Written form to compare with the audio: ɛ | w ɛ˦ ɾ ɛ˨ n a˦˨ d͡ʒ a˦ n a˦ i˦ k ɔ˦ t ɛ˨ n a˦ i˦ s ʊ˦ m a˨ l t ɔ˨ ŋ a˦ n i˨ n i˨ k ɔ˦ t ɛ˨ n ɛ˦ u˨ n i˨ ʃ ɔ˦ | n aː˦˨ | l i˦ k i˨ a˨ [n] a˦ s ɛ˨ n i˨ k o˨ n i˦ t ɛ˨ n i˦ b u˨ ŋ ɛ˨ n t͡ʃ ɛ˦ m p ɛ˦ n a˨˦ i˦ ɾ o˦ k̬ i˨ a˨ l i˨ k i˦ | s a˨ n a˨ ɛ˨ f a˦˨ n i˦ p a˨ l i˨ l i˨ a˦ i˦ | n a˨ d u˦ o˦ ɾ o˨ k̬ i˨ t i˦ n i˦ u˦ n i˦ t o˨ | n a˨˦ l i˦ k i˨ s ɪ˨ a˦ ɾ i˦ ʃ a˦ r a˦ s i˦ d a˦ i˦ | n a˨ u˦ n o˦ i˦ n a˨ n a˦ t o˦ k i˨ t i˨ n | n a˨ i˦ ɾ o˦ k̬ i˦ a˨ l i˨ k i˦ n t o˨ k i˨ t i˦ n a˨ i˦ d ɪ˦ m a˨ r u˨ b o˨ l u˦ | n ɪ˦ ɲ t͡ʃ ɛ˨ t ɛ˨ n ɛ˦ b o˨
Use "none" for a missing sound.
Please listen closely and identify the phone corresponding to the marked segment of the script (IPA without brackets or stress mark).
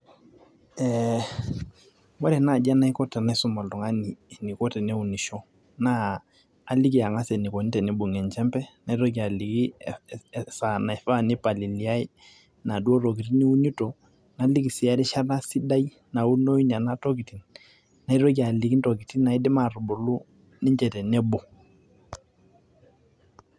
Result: ŋ